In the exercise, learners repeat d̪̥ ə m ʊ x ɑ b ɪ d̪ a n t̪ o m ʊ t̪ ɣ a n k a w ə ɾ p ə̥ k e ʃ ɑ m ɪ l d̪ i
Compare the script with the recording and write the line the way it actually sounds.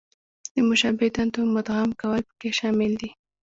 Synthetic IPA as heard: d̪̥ ə m ʊ ʃ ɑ b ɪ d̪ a n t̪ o m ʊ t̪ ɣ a m k a w ə l p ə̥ k e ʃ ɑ m ɪ l d̪ i